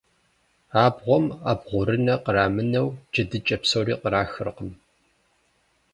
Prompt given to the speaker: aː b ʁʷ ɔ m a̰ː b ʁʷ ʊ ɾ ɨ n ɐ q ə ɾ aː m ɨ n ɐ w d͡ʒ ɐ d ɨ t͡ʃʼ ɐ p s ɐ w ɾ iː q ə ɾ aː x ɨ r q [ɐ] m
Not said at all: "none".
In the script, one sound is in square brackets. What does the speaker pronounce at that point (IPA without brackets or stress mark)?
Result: ə